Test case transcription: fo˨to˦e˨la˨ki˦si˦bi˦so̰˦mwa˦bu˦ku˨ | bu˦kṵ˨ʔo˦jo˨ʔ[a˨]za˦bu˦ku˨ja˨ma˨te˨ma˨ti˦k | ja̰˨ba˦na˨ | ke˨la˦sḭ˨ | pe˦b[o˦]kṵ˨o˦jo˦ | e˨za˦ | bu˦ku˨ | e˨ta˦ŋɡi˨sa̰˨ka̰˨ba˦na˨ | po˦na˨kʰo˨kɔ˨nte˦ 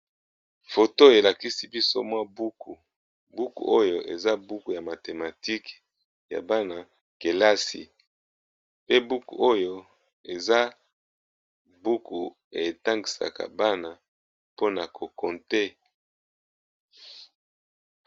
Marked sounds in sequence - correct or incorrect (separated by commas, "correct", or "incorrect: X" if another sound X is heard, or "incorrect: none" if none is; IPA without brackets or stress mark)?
incorrect: e˨, incorrect: u˦